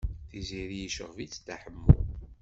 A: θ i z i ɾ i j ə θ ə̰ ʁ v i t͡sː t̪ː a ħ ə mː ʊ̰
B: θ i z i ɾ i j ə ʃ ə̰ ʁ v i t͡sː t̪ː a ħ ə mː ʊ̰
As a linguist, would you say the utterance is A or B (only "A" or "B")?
B